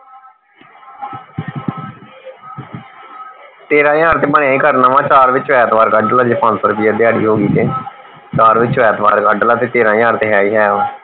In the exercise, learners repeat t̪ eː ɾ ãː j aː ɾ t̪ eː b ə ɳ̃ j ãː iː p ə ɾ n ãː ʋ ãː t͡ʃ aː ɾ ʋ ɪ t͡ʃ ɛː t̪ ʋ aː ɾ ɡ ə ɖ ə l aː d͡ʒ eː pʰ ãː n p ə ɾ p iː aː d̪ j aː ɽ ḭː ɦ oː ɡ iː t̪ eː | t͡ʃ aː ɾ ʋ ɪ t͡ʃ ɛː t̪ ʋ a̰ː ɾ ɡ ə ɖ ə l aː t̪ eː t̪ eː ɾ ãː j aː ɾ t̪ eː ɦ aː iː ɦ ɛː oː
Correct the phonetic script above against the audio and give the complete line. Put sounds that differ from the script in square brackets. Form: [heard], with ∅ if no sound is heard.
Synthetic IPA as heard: t̪ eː ɾ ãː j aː ɾ t̪ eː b ə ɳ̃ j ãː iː [k] ə ɾ n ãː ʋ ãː t͡ʃ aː ɾ ʋ ɪ t͡ʃ ɛː t̪ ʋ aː ɾ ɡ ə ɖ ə l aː d͡ʒ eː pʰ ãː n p ə ɾ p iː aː d̪ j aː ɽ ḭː ɦ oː ɡ iː t̪ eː | t͡ʃ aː ɾ ʋ ɪ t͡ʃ ɛː t̪ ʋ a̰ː ɾ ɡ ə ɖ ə l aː t̪ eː t̪ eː ɾ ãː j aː ɾ t̪ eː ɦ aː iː ɦ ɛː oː